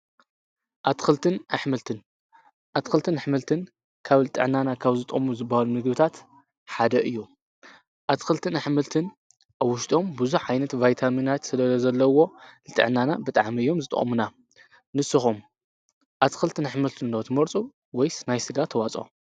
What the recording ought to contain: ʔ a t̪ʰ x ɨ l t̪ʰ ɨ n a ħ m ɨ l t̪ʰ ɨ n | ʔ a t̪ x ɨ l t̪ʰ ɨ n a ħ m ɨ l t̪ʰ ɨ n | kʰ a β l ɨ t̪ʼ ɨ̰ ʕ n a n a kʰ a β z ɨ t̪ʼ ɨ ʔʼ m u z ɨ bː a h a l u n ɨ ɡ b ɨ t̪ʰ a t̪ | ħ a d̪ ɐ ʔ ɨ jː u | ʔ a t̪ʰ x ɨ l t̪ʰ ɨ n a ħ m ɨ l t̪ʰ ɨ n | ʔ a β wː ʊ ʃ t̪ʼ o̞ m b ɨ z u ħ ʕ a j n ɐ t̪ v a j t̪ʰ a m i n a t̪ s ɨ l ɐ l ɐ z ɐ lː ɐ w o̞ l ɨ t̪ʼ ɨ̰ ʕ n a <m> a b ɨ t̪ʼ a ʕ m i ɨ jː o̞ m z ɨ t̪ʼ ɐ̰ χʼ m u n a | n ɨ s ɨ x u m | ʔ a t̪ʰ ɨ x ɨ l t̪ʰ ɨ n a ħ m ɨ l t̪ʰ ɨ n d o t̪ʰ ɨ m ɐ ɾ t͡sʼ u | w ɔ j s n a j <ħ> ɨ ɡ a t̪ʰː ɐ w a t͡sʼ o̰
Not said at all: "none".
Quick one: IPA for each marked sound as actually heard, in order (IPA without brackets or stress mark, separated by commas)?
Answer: n, s